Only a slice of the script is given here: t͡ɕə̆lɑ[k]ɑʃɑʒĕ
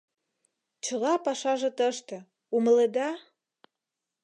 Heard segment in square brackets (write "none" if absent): p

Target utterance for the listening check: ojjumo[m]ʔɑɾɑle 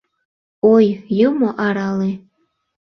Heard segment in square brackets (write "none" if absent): none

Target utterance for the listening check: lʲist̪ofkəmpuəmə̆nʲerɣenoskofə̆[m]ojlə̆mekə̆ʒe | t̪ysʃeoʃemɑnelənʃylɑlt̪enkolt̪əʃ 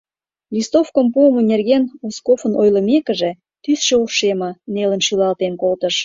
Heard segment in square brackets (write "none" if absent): n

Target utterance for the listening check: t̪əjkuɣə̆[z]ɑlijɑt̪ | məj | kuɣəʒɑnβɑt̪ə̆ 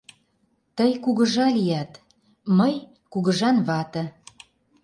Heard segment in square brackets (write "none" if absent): ʒ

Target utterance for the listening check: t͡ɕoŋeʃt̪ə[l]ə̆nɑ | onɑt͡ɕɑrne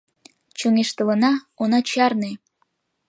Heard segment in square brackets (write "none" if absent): l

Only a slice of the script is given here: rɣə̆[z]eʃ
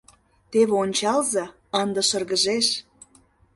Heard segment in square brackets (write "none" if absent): ʒ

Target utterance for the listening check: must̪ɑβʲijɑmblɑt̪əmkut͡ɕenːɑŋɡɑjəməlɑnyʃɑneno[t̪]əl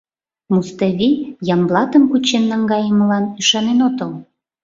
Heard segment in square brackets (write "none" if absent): t̪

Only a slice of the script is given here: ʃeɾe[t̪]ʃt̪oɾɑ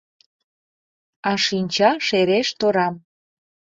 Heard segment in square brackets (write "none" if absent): none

